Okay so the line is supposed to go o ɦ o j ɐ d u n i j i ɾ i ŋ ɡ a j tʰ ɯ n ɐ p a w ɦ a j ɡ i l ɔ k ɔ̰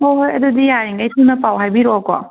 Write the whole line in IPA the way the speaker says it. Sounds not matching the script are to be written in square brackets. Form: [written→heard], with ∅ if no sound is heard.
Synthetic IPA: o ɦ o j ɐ d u [n→d] i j [i→a] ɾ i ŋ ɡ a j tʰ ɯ n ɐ p a w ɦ a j [ɡ→b] i [l→ɾ] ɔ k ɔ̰